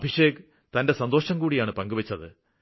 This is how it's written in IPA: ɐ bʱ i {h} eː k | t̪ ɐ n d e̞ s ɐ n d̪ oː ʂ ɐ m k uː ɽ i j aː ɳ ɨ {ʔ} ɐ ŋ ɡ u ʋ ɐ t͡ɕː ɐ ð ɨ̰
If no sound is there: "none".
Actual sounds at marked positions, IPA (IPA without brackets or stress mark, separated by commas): ʂ, p